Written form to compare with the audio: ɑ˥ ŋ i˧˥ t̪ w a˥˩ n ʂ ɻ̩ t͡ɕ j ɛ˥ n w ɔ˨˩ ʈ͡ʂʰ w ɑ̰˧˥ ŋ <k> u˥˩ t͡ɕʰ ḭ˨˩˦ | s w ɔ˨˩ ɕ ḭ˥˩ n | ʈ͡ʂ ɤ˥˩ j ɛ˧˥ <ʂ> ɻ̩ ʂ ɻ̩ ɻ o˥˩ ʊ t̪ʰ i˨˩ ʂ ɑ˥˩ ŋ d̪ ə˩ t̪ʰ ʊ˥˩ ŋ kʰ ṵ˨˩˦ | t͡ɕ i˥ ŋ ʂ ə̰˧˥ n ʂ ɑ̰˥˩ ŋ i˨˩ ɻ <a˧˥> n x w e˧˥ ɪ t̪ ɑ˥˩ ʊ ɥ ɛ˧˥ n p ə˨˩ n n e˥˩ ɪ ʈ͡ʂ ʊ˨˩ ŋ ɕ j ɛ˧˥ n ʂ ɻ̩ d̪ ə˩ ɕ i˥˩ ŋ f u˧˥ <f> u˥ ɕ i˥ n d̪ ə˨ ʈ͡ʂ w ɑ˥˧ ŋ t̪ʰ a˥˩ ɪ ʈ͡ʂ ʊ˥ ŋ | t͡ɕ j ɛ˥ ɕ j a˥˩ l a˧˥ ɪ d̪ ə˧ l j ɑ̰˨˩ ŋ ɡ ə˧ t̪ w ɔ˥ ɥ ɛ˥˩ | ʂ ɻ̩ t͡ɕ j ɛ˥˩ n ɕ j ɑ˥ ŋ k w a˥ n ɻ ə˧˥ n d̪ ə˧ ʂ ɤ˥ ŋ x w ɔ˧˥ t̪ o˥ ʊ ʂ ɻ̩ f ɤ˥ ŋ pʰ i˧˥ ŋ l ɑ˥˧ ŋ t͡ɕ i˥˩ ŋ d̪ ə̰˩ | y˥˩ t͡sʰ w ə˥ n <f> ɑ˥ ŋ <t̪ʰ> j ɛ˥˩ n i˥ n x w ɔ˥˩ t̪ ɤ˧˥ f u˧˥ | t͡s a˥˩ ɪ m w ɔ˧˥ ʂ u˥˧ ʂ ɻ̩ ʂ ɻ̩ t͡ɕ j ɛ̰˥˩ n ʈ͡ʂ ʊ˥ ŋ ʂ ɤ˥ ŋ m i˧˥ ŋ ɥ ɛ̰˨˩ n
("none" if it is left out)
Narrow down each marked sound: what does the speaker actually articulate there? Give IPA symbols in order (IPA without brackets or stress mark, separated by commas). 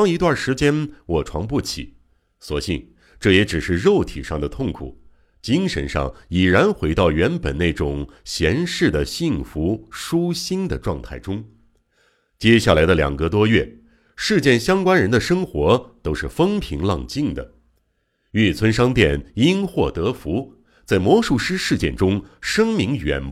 p, ʈ͡ʂ, a˧˥, ʂ, ʂ, t̪